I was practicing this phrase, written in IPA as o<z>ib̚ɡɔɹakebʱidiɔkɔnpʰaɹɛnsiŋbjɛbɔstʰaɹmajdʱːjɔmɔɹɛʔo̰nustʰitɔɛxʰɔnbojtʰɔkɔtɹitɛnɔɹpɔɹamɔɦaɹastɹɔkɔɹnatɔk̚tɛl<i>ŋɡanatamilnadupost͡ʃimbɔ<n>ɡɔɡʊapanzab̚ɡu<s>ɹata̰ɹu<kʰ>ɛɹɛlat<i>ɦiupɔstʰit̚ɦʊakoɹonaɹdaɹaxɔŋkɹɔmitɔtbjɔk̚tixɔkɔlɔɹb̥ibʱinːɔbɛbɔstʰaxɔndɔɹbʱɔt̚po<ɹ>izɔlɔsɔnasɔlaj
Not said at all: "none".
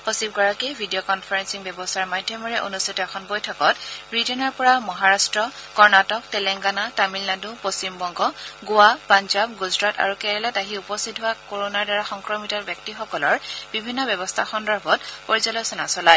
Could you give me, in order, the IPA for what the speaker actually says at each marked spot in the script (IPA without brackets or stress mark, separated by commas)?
s, ɛ, ŋ, z, k, a, ɹ